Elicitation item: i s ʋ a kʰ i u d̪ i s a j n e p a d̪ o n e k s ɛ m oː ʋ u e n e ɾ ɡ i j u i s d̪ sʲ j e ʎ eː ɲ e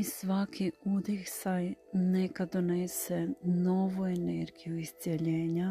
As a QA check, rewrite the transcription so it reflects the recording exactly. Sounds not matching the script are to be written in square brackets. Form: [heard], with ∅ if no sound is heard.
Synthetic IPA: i s ʋ a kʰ i u d̪ i s a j n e [k] a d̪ o n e [∅] s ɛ [n] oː ʋ u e n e ɾ ɡ i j u i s [t̪] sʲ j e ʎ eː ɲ [a]